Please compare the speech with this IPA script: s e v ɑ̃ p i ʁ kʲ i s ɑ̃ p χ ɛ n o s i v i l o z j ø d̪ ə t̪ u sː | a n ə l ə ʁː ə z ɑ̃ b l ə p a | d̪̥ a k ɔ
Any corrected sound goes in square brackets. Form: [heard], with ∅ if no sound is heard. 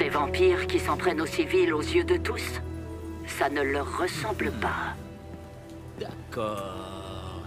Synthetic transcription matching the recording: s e v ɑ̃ p i ʁ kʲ i s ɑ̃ p χ ɛ n o s i v i l o z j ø d̪ ə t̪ u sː | a n ə l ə ʁː ə [s] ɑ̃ b l ə p a | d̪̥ a k ɔ

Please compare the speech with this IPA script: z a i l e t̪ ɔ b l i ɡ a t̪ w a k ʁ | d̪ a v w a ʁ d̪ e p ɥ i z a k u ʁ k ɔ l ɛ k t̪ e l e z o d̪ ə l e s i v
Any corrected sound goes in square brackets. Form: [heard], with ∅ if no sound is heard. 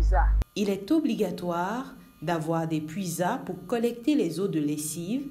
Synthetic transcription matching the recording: z a i l [ɛ] t̪ ɔ b l i ɡ a t̪ w a [∅] ʁ | d̪ a v w a ʁ d̪ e p ɥ i z a [p] u ʁ k ɔ l ɛ k t̪ e l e z o d̪ ə l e s i v

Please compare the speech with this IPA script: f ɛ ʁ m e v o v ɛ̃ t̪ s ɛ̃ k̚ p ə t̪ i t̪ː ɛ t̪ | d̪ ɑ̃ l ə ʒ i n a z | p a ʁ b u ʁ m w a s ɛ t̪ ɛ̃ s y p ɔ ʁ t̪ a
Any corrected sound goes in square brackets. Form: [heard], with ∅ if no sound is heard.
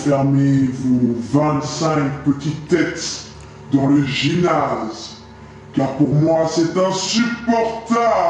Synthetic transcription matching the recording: f ɛ ʁ m e v o v ɛ̃ t̪ s ɛ̃ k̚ p ə t̪ i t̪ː ɛ t̪ | d̪ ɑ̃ l ə ʒ i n a z | [k] a ʁ [p] u ʁ m w a s ɛ t̪ ɛ̃ s y p ɔ ʁ t̪ a

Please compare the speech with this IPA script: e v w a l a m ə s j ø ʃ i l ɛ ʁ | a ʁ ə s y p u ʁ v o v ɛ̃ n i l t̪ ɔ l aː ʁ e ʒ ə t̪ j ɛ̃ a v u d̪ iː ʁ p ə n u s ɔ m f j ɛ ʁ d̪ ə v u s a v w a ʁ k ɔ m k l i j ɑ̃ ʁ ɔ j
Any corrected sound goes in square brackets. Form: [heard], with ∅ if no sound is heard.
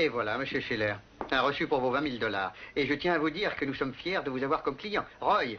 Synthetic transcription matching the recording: e v w a l a m ə s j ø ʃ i l ɛ ʁ | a ʁ ə s y p u ʁ v o v ɛ̃ [m] i l [d̪] ɔ l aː ʁ e ʒ ə t̪ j ɛ̃ a v u d̪ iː ʁ [k] ə n u s ɔ m f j ɛ ʁ d̪ ə v u [z] a v w a ʁ k ɔ m k l i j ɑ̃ ʁ ɔ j

